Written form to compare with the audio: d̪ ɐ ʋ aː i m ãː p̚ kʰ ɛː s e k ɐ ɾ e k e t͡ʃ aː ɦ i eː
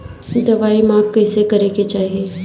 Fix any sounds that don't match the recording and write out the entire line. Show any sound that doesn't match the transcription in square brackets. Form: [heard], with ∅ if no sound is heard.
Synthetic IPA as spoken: d̪ ɐ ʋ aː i m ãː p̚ [k] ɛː s e k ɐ ɾ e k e t͡ʃ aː ɦ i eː